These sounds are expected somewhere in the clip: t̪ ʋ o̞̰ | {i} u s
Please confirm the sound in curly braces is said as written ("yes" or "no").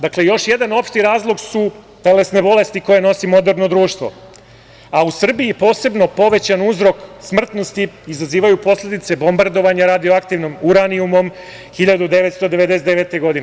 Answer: no